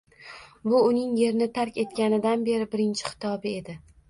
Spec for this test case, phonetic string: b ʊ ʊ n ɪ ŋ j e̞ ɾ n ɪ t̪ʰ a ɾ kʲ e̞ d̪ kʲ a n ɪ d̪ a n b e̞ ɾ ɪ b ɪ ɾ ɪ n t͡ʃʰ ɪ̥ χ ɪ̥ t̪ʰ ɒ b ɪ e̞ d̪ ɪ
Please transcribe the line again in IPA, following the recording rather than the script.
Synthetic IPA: b ʊ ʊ n ɪ ŋ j e̞ ɾ n ɪ t̪ʰ a ɾ kʲ e̞ t̪ kʲ a n ɪ d̪ a n b e̞ ɾ ɪ b ɪ ɾ ɪ n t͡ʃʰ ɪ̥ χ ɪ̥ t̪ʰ ɒ b ɪ e̞ d̪ ɪ